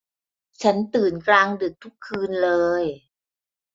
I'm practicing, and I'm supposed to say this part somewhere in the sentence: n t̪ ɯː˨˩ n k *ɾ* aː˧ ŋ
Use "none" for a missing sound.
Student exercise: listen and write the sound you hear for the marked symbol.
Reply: l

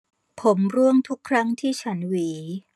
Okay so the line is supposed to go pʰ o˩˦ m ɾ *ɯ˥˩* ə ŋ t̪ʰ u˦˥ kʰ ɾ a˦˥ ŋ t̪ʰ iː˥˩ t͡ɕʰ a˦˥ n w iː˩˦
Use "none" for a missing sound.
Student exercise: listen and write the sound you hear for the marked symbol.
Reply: u˥˩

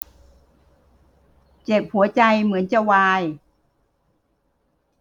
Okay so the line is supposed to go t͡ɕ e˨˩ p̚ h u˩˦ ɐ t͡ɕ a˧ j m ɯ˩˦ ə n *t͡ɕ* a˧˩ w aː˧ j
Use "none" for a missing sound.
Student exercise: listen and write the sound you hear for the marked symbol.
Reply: t͡ɕ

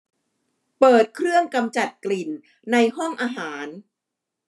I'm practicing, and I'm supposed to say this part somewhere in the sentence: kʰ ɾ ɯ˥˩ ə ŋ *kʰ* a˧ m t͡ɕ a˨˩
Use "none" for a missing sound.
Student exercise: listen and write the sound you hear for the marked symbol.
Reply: k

